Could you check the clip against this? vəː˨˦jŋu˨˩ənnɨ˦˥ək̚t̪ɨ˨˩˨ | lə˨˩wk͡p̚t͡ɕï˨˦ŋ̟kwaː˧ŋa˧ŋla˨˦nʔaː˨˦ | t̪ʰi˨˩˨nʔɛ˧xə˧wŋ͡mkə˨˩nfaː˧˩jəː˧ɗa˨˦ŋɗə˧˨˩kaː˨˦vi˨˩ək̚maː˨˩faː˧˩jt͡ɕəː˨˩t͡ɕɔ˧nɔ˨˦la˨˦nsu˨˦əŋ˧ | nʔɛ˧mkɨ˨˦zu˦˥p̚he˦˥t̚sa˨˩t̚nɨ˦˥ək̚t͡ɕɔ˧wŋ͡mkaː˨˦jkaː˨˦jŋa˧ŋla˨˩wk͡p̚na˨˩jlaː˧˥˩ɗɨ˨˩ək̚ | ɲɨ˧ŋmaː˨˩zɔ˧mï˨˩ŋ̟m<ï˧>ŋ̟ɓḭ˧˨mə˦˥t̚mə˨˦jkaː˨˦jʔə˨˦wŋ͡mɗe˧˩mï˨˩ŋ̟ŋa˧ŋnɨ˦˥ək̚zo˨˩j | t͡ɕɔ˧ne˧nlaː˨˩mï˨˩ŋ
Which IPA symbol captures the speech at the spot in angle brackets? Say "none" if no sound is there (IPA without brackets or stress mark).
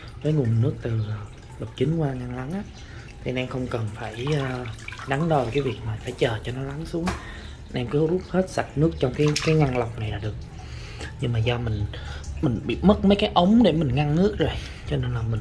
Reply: ï˨˩